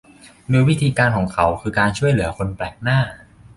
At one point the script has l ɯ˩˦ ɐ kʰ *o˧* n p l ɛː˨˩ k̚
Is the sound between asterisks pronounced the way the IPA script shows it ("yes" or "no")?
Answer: yes